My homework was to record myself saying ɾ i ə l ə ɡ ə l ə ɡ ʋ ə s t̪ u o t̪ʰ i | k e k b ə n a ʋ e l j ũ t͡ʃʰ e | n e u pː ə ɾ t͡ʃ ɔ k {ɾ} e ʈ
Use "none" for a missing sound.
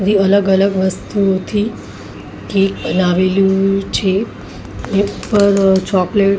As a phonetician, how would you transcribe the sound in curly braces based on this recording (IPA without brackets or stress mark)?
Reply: l